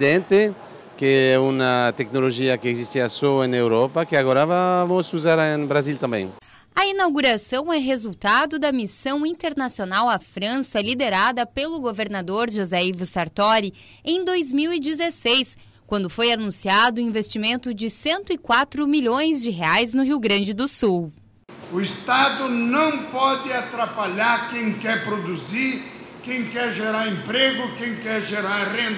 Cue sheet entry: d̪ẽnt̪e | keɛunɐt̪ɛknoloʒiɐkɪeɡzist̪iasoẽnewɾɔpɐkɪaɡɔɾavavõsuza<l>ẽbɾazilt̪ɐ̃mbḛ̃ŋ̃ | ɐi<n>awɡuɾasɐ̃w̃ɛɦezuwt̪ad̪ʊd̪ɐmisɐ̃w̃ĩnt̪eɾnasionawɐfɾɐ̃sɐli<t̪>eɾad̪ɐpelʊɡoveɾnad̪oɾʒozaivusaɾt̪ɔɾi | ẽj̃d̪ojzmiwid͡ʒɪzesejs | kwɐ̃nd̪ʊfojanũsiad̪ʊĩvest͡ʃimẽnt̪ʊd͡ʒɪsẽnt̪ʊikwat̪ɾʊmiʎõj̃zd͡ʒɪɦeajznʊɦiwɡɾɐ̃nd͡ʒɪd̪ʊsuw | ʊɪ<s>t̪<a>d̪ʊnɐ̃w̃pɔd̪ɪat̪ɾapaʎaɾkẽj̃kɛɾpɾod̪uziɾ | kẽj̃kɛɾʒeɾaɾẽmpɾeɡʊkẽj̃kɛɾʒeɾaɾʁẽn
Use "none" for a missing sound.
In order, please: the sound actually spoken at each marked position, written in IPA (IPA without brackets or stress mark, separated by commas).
ɾ, n, d̪, s, a